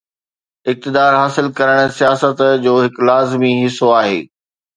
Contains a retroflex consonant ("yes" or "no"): yes